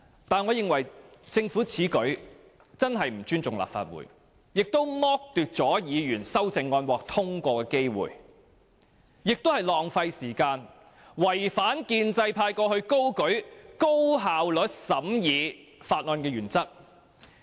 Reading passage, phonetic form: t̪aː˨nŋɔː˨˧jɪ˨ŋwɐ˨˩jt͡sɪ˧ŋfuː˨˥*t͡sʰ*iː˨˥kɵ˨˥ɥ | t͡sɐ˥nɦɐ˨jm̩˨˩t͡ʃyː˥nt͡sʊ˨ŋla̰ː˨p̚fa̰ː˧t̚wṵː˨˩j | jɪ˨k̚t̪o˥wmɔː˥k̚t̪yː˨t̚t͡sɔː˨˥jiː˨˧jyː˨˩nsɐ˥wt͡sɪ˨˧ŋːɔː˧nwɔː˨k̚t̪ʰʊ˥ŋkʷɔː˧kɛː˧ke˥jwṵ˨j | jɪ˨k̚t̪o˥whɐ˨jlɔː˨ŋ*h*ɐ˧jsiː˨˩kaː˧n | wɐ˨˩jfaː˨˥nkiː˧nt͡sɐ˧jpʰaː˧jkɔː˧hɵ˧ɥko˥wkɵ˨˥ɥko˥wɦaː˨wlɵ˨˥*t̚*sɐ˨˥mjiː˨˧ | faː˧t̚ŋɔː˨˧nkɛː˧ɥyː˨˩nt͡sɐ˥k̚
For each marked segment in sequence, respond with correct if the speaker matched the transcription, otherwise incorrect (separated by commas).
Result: correct, incorrect, correct